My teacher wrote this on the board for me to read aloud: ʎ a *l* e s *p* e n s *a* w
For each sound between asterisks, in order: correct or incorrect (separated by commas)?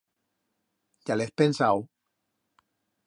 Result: correct, correct, correct